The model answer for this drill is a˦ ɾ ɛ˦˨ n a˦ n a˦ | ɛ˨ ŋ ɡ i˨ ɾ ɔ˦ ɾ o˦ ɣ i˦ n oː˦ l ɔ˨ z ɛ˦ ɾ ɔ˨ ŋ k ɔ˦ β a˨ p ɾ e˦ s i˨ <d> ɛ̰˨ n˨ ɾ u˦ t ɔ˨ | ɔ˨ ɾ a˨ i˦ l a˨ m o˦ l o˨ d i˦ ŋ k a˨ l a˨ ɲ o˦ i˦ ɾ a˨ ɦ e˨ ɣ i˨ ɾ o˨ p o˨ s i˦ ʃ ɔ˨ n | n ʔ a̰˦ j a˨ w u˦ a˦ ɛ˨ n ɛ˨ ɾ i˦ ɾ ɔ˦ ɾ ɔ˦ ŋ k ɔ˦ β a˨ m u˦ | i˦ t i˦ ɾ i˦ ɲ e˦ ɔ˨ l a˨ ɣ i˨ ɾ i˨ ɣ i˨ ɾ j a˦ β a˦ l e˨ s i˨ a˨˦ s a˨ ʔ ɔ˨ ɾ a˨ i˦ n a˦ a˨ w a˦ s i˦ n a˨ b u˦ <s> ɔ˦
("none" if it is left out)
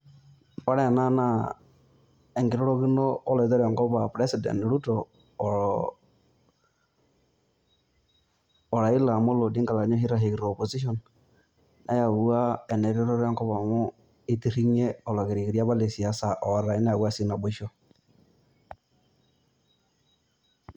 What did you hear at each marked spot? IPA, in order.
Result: d, ʃ

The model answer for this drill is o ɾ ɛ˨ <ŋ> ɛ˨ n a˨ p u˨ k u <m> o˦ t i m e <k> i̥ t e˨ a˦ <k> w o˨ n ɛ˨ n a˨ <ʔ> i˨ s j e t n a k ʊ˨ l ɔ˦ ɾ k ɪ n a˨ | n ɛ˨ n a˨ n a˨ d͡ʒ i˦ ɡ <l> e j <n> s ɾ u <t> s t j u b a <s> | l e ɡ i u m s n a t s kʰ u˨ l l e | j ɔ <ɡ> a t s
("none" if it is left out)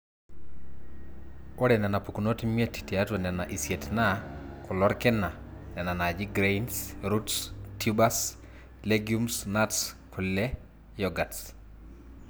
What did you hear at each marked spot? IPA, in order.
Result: n, n, t, t, ʔ, ɾ, n, t, s, ɡ

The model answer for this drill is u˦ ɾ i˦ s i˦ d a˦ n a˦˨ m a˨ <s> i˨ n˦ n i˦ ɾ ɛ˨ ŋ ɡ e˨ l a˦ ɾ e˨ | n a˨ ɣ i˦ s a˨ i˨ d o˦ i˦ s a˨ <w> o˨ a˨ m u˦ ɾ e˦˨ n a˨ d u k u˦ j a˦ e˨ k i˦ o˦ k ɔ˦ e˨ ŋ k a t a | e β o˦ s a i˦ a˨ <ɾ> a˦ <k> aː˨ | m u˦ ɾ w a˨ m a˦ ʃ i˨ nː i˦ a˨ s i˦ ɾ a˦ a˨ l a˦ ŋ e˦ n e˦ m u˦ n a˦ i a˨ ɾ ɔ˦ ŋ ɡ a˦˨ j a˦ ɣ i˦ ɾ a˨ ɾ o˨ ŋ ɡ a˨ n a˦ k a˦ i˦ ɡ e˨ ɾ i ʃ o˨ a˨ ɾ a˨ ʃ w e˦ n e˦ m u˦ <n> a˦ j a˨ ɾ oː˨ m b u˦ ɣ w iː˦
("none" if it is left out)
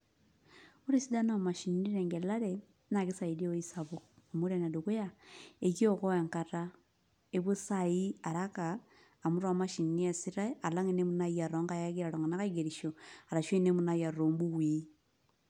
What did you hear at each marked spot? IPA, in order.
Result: ʃ, β, ɾ, k, n

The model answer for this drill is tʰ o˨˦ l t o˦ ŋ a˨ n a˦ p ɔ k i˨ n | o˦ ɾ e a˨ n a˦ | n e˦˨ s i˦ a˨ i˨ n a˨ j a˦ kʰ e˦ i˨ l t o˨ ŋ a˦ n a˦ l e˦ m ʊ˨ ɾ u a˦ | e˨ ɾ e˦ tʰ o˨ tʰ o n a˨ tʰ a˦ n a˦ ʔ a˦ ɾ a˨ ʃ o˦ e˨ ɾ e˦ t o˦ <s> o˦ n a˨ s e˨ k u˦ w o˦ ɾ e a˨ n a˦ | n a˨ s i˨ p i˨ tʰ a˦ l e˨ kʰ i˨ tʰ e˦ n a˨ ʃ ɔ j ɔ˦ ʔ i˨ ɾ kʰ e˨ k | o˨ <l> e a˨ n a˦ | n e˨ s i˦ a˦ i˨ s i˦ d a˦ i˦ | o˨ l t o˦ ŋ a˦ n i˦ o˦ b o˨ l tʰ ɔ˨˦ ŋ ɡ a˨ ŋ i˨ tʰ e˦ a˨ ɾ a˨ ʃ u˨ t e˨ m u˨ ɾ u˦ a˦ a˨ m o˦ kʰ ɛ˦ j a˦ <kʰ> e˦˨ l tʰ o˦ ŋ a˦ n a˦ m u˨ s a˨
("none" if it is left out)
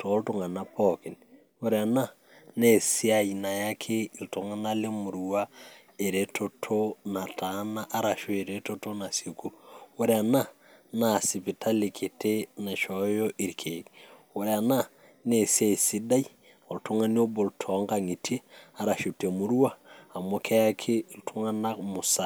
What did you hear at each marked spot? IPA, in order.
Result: t, ɾ, kʰ

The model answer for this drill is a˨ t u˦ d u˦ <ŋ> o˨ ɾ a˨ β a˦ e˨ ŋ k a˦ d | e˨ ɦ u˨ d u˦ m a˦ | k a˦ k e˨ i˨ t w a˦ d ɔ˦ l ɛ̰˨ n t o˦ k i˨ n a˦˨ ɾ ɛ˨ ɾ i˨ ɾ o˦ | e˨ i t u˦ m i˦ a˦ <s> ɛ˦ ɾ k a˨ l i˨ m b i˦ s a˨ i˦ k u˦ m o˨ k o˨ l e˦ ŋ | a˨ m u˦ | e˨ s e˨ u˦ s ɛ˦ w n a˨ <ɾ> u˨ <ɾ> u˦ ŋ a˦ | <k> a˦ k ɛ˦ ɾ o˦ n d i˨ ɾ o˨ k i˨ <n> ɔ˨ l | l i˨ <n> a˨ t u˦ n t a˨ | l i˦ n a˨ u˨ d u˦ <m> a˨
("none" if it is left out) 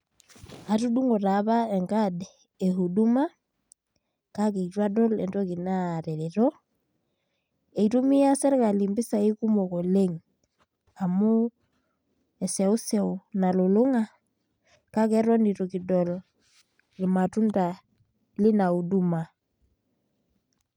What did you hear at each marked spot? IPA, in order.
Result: ŋ, s, l, l, k, d, m, m

